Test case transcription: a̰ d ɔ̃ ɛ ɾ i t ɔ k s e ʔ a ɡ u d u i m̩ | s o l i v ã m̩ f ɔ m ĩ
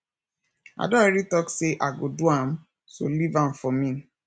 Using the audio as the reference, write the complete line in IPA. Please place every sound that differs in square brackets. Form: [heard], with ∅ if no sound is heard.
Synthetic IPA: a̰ d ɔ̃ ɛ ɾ i t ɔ k s e ʔ a ɡ [o] d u [a] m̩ | s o l i v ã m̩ f ɔ m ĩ